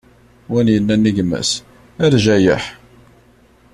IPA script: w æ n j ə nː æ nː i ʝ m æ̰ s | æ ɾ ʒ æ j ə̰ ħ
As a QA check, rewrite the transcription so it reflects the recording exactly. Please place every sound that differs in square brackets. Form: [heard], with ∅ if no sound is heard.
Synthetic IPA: w æ n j ə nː æ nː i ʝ m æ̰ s | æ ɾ ʒ æ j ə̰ ħ